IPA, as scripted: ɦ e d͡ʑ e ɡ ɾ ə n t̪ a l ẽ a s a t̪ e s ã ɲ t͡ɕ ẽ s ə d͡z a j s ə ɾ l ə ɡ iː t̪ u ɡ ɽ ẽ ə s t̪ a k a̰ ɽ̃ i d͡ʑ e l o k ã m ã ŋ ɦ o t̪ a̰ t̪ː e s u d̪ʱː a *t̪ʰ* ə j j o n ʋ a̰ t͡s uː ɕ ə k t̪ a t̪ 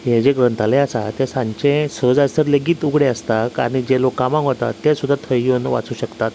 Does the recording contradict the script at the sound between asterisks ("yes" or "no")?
no